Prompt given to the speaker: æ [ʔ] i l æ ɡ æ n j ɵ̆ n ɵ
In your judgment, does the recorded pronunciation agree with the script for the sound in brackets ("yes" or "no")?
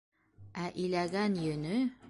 yes